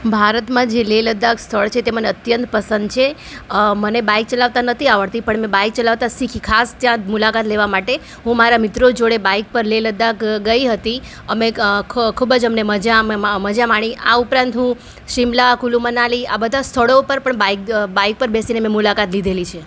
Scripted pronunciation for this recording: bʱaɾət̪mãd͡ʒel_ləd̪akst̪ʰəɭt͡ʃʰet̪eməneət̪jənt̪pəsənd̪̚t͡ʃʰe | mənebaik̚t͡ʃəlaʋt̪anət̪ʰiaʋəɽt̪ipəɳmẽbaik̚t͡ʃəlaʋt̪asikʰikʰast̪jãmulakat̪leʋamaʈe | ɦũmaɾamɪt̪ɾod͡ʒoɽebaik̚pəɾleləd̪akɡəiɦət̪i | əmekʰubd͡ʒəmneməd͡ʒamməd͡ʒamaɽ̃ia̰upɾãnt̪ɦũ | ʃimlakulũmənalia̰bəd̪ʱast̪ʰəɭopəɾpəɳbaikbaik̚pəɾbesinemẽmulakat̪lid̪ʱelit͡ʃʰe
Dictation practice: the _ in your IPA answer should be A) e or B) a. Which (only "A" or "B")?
A